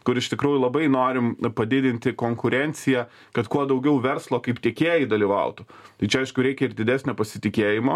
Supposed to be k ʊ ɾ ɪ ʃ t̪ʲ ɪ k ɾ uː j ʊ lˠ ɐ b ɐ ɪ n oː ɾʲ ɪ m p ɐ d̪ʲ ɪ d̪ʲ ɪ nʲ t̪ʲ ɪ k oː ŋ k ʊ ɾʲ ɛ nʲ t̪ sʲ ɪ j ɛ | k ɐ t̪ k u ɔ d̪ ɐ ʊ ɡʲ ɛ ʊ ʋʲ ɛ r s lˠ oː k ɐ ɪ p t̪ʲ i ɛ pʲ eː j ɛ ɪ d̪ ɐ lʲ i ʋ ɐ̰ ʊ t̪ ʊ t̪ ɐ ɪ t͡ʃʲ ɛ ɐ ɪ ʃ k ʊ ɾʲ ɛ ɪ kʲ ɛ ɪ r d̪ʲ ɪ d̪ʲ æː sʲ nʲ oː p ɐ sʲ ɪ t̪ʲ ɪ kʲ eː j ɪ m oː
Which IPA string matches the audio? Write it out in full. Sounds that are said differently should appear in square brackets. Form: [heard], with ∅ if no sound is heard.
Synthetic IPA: k ʊ ɾ ɪ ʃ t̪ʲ ɪ k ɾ uː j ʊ lˠ ɐ b ɐ ɪ n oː ɾʲ ɪ m p ɐ d̪ʲ ɪ d̪ʲ ɪ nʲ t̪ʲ ɪ k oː ŋ k ʊ ɾʲ ɛ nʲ t̪ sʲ ɪ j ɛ | k ɐ t̪ k u ɔ d̪ ɐ ʊ ɡʲ ɛ ʊ ʋʲ ɛ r s lˠ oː k ɐ ɪ p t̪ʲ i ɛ [kʲ] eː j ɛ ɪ d̪ ɐ lʲ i ʋ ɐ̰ ʊ t̪ ʊ t̪ ɐ ɪ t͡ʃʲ ɛ ɐ ɪ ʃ k ʊ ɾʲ ɛ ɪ kʲ ɛ ɪ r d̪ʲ ɪ d̪ʲ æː sʲ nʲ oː p ɐ sʲ ɪ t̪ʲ ɪ kʲ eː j ɪ m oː